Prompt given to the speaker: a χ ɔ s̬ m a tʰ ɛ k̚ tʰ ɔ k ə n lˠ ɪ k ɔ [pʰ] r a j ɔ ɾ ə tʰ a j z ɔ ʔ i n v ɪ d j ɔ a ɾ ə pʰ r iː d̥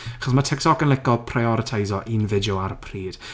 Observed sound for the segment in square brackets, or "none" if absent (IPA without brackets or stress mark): pʰ